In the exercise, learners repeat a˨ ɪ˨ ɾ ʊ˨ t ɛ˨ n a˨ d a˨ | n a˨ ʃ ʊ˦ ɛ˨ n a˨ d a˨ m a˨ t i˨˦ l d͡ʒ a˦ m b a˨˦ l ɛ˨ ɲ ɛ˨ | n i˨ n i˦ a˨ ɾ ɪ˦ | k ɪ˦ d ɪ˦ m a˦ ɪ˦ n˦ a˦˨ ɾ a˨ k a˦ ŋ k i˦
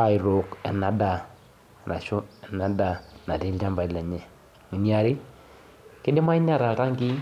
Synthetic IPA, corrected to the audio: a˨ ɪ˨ ɾ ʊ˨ k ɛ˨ n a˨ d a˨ | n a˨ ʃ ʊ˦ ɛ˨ n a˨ d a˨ n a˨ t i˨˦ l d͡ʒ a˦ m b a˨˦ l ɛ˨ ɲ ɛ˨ | ŋ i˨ n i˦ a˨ ɾ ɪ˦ | k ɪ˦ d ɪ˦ m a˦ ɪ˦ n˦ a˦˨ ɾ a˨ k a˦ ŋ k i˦